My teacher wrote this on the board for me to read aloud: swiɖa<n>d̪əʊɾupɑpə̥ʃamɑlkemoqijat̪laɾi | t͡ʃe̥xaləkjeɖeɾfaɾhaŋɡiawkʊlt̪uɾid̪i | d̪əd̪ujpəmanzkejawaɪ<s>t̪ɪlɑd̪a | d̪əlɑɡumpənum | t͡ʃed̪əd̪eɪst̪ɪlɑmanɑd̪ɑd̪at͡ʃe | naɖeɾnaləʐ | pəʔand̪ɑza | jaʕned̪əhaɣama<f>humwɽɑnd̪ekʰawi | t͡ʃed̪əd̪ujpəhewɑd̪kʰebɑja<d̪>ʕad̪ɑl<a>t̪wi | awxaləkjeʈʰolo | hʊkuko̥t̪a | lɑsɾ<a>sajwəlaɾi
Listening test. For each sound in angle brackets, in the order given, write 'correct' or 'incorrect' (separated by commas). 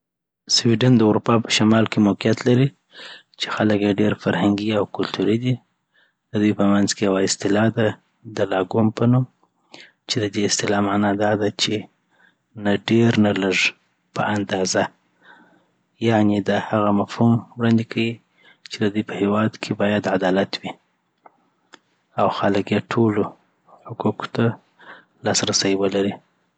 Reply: correct, correct, correct, correct, correct, correct